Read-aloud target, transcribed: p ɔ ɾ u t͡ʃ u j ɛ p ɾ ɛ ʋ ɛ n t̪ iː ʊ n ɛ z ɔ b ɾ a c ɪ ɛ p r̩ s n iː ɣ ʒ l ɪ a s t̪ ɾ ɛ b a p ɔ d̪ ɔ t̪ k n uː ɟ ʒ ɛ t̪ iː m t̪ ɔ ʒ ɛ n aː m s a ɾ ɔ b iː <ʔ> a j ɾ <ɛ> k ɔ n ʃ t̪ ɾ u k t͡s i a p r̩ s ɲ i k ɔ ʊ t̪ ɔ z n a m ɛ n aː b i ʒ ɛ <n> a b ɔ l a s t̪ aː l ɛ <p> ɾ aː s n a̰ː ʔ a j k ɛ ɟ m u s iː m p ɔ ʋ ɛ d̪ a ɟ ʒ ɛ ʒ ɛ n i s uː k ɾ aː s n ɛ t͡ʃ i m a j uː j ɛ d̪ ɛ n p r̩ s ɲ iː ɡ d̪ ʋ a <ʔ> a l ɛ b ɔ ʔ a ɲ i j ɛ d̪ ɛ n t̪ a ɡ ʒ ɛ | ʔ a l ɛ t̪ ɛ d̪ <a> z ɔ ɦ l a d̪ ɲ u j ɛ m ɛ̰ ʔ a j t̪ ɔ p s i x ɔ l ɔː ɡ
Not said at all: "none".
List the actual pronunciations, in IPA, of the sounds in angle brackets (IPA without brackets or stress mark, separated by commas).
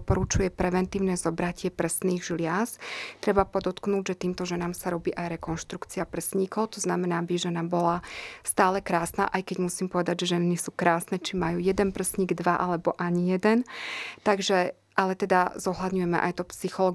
ʔ, ɛ, n, k, ʔ, a